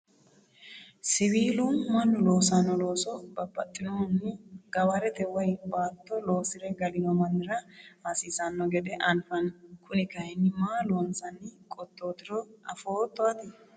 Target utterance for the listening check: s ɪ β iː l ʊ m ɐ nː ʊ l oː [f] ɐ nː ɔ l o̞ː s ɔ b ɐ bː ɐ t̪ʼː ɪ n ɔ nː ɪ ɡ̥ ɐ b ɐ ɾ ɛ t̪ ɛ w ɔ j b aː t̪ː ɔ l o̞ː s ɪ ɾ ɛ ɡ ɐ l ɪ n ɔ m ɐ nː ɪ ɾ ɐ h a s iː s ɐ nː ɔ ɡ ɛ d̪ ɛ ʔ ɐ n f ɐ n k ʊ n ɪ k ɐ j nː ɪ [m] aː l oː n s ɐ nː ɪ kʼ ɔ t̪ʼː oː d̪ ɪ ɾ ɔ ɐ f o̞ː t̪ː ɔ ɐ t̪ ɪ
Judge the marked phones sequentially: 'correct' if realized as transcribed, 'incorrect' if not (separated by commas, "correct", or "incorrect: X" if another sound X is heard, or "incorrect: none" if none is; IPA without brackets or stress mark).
incorrect: s, correct